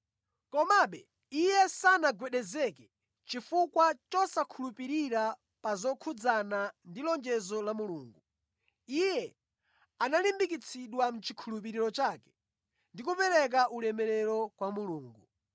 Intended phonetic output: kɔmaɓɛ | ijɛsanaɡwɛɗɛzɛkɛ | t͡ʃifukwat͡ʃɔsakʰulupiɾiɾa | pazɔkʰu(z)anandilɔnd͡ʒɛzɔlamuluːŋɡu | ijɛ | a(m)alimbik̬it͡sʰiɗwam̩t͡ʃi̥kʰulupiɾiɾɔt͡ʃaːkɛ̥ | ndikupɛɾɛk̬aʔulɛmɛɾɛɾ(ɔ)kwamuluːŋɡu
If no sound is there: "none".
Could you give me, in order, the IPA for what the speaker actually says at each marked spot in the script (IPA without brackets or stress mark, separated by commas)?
d͡z, n, ɔ